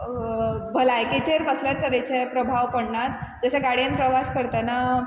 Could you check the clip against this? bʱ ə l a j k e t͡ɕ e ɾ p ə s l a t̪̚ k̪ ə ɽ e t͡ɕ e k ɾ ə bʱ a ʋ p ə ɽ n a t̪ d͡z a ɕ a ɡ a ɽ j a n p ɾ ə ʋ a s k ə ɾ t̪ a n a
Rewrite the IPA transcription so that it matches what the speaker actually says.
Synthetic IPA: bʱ ə l a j k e t͡ɕ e ɾ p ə s l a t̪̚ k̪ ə ɾ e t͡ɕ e p ɾ ə bʱ a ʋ p ə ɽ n a t̪ d͡z ə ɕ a ɡ a ɽ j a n p ɾ ə ʋ a s k ə ɾ t̪ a n a